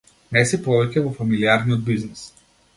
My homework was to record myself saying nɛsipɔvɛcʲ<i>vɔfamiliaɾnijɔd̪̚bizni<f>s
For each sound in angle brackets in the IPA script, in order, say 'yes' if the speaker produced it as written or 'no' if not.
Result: no, no

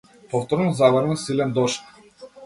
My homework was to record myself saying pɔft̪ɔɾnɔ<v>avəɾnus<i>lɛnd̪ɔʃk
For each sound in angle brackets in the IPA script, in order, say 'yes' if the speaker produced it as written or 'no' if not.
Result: no, yes

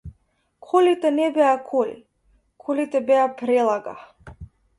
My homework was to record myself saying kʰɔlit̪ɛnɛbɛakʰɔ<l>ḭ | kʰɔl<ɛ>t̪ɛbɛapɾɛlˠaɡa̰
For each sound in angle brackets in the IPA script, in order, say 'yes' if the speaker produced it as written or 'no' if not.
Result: yes, no

